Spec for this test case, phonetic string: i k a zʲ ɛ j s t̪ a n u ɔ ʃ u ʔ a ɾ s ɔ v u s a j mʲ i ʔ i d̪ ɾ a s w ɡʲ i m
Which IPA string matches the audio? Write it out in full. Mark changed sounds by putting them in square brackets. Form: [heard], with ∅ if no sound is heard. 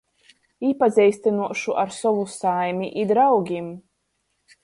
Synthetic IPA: i [p] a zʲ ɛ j s t̪ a n u ɔ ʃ u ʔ a ɾ s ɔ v u s a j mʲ i ʔ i d̪ ɾ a [∅] w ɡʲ i m